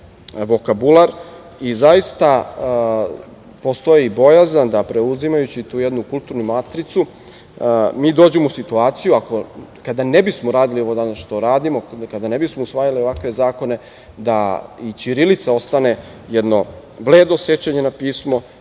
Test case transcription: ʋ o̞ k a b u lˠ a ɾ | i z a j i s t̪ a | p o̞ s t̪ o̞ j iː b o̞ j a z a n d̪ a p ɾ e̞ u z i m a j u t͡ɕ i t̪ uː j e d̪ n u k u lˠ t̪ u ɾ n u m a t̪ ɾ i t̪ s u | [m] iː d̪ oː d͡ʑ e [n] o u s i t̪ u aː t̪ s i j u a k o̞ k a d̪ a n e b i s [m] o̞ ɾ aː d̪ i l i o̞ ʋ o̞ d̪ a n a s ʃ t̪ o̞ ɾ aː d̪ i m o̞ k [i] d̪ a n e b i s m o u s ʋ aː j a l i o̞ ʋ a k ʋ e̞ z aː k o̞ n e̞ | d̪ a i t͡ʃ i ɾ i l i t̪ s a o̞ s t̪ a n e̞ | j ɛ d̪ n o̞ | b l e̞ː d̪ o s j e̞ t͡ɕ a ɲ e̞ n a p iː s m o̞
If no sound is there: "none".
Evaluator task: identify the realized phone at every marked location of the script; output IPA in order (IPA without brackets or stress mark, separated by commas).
m, m, m, a